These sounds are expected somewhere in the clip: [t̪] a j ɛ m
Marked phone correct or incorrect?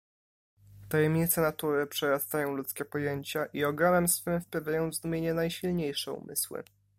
correct